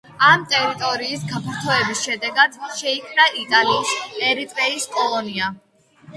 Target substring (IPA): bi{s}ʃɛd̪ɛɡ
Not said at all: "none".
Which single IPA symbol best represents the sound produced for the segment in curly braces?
s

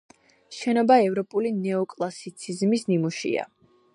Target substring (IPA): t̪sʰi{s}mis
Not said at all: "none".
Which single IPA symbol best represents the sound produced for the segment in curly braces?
z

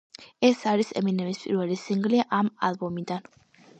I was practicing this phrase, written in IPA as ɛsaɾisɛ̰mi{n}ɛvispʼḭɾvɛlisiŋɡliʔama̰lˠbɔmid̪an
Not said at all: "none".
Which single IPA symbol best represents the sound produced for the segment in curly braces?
n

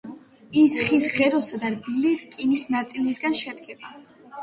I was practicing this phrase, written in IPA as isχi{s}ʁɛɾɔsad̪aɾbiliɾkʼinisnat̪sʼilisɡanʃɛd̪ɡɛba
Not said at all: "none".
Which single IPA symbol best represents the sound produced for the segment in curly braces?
s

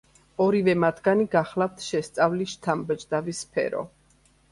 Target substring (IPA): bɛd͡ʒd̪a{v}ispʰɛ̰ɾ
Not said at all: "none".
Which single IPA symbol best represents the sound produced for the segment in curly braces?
v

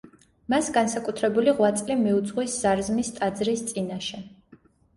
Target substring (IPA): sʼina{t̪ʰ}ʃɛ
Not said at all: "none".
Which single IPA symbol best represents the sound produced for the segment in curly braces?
none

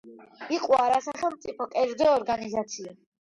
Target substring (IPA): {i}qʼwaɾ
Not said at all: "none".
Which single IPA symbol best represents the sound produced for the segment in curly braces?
i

